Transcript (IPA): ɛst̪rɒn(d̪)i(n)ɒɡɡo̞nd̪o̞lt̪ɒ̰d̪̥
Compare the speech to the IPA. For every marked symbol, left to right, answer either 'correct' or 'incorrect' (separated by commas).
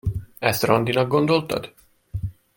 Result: correct, correct